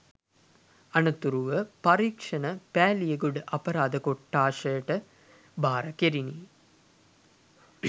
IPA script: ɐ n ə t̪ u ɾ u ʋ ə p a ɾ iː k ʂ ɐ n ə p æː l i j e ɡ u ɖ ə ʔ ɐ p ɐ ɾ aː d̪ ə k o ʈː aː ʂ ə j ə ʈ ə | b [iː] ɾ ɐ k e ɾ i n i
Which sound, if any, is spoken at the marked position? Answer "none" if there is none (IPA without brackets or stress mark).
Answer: aː